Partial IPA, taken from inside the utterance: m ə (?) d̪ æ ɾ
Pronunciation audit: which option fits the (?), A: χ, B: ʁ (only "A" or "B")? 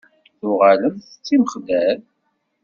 A